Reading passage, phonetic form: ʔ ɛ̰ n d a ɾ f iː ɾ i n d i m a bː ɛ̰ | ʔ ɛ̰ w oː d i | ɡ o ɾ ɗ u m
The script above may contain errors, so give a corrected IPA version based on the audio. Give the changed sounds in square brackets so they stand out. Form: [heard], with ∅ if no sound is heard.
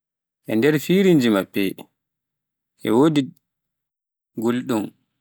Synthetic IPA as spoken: ʔ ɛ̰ n d [ɛ] ɾ f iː ɾ i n [d͡ʒ] i m a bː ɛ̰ | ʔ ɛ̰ w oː d i | ɡ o [l] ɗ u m